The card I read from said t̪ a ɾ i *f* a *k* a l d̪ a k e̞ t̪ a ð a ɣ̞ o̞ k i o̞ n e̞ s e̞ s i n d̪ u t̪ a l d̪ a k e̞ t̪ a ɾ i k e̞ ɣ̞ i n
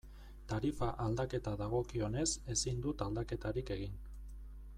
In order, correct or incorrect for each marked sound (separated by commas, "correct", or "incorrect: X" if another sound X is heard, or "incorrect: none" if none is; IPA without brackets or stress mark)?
correct, incorrect: ʔ